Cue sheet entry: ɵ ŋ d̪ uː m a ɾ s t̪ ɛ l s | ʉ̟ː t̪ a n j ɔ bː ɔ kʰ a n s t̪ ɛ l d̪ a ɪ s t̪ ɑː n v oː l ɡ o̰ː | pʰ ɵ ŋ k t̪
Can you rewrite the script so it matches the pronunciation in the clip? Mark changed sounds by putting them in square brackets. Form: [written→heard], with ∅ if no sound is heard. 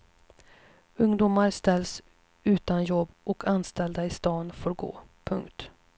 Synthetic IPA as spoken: ɵ ŋ d̪ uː m a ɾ s t̪ ɛ l s | ʉ̟ː t̪ a n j ɔ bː ɔ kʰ a n s t̪ ɛ l d̪ a ɪ s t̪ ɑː n [v→f] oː [l→ɾ] ɡ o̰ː | pʰ ɵ ŋ k t̪